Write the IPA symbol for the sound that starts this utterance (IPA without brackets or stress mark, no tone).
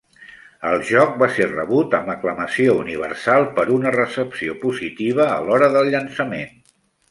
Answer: ə